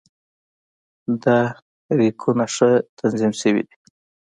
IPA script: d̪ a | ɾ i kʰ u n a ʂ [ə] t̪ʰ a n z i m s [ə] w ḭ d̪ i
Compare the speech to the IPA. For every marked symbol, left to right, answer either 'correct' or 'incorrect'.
correct, correct

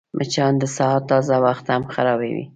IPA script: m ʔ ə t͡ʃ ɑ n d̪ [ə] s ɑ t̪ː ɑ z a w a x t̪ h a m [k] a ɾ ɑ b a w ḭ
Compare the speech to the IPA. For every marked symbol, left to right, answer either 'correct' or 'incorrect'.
correct, incorrect

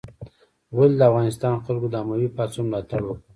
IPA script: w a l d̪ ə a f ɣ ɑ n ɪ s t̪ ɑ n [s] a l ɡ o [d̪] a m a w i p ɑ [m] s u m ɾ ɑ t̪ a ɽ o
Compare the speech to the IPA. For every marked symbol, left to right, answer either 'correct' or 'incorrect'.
incorrect, correct, incorrect

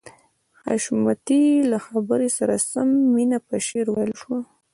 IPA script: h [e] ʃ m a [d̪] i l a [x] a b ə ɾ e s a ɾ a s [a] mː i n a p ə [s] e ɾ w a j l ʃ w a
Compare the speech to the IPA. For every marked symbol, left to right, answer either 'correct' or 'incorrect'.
incorrect, incorrect, correct, correct, incorrect

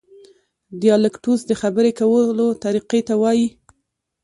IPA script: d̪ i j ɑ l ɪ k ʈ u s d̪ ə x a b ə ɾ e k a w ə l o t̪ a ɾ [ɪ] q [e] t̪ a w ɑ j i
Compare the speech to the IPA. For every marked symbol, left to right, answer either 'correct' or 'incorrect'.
incorrect, correct

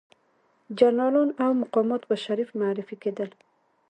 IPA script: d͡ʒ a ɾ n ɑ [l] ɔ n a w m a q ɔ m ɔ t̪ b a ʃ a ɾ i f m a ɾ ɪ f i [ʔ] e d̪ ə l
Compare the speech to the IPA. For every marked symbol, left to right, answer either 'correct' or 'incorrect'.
correct, incorrect

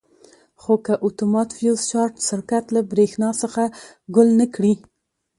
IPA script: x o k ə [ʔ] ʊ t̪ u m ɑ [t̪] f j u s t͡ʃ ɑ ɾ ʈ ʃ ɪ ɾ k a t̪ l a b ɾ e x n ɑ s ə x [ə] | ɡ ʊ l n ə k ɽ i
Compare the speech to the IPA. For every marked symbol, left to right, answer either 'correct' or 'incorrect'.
correct, correct, incorrect

